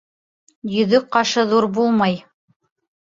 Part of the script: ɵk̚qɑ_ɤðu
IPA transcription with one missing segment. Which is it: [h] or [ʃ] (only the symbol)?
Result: ʃ